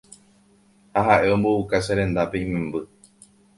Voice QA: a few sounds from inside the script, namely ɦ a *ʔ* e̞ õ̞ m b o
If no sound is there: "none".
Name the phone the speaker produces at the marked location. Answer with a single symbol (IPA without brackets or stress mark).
ʔ